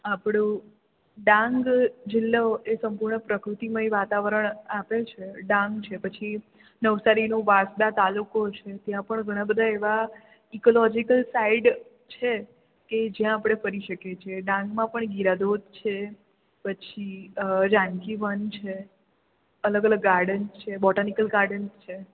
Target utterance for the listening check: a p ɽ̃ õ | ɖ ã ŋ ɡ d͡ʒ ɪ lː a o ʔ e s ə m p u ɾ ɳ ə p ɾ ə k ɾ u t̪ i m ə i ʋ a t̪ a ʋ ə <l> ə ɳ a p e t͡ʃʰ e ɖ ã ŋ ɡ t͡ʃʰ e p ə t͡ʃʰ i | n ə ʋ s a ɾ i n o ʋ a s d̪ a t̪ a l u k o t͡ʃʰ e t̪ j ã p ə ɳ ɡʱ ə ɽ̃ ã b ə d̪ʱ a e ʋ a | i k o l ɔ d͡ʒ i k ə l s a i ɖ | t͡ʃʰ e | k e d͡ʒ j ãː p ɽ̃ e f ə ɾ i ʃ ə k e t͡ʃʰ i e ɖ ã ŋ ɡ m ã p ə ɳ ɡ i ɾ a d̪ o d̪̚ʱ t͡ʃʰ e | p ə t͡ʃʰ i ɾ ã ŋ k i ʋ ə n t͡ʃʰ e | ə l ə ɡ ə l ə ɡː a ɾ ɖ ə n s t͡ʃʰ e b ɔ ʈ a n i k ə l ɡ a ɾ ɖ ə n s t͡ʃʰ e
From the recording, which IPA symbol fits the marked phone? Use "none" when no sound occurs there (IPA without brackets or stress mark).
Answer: ɾ